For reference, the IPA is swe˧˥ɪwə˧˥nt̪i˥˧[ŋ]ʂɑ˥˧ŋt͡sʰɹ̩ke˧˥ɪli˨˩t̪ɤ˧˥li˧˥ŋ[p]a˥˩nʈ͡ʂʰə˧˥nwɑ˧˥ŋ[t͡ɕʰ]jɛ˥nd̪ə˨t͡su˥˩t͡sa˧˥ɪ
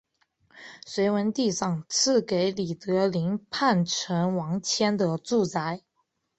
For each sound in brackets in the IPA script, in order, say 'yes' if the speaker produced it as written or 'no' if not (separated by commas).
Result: no, no, yes